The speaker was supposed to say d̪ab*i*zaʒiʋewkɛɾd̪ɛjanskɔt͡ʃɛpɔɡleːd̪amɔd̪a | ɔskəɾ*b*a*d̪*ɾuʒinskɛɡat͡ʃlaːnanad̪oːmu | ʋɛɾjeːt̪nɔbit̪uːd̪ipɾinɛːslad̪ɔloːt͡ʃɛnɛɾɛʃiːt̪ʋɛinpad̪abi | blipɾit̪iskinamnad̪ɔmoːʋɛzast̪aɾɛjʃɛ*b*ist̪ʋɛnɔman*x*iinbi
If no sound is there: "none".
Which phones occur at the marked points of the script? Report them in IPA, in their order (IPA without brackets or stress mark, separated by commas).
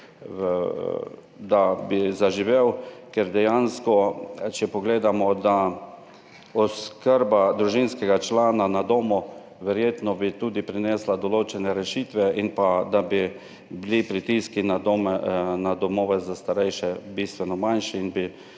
i, b, d̪, b, ʃ